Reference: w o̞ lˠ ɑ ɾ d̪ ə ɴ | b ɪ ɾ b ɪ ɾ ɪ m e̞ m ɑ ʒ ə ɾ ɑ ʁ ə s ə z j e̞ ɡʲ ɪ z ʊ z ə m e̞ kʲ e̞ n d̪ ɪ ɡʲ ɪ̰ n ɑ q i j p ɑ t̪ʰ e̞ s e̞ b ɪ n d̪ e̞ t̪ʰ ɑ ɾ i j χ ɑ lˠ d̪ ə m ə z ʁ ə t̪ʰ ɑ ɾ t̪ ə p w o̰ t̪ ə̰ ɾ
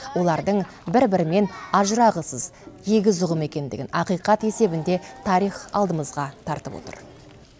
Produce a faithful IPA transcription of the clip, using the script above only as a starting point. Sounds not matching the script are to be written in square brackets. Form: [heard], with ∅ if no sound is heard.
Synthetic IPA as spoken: w o̞ lˠ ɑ ɾ d̪ ə ɴ | b ɪ ɾ b ɪ ɾ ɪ m e̞ [n] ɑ ʒ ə ɾ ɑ ʁ ə s ə z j e̞ ɡʲ ɪ z ʊ [ʁ] ə m e̞ kʲ e̞ n d̪ ɪ ɡʲ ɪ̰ n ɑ q i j [q] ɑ [t̪] e̞ s e̞ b ɪ n d̪ e̞ t̪ʰ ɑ ɾ i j χ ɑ lˠ d̪ ə m ə z ʁ [ɑ] t̪ʰ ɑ ɾ t̪ ə p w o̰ t̪ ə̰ ɾ